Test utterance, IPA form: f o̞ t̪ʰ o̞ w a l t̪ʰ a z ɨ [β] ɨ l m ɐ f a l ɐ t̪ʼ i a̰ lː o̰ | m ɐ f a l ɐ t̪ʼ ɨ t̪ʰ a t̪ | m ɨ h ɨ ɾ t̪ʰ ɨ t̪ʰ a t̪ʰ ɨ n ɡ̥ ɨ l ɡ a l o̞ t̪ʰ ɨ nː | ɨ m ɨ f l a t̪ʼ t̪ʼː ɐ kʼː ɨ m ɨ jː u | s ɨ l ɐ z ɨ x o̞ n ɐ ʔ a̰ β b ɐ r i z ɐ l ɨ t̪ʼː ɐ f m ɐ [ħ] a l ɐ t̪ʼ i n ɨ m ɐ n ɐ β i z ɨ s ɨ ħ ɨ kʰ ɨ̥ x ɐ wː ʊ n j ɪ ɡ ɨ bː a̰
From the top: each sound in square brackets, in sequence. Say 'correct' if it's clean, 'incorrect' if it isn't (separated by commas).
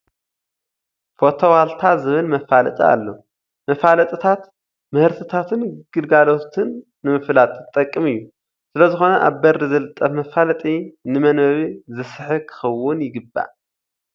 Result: correct, incorrect